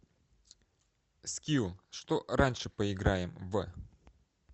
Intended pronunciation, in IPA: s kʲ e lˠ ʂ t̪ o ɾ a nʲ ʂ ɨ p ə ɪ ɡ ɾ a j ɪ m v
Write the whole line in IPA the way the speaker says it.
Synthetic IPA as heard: s kʲ i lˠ ʂ t̪ o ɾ a nʲ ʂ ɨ p ə ɪ ɡ ɾ a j ɪ m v